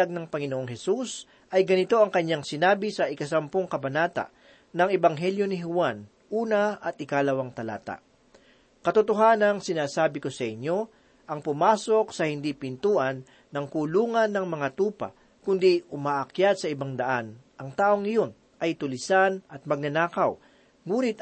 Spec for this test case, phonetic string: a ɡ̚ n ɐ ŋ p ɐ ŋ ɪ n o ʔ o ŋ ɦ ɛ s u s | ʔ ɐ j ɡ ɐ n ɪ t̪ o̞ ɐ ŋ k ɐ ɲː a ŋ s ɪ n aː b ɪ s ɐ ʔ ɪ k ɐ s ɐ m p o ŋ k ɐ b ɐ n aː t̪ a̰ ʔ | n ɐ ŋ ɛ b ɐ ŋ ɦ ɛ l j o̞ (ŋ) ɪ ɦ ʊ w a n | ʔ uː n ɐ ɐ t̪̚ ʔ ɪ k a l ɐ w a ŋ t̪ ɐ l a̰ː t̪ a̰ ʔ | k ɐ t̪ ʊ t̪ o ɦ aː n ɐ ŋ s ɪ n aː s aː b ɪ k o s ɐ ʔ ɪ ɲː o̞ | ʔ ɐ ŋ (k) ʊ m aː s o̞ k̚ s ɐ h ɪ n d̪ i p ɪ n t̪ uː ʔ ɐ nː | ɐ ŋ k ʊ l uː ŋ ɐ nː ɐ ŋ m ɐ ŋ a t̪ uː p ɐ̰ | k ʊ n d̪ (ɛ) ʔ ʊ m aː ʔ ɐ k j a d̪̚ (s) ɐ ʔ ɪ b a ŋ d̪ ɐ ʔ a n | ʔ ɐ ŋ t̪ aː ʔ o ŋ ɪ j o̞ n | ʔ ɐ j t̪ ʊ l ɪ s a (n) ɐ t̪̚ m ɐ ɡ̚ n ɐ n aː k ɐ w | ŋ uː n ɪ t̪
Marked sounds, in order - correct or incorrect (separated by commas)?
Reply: incorrect, incorrect, incorrect, correct, correct